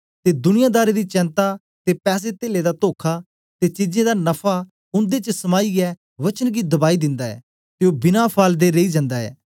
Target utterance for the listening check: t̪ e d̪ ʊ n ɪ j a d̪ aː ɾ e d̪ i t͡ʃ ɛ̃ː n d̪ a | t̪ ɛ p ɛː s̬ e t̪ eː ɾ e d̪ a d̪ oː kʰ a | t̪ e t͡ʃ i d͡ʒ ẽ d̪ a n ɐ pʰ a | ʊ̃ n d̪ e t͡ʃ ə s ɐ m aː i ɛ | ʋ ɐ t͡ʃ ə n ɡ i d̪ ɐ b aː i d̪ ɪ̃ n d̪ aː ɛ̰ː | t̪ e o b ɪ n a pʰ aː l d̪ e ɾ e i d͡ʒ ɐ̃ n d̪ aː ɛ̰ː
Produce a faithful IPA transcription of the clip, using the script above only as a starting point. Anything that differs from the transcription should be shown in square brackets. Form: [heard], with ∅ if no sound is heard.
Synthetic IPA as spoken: t̪ e d̪ ʊ n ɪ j a d̪ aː ɾ e d̪ i t͡ʃ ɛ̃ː n [t̪] a | t̪ [e] p ɛː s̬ e t̪ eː [l] e d̪ a [t̪] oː kʰ a | t̪ e t͡ʃ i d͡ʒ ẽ d̪ a n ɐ pʰ a | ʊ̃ n d̪ e t͡ʃ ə s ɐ m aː i ɛ | ʋ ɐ t͡ʃ ə n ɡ i d̪ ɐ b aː i d̪ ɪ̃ n d̪ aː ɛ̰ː | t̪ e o b ɪ n a pʰ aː l d̪ e ɾ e i d͡ʒ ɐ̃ n d̪ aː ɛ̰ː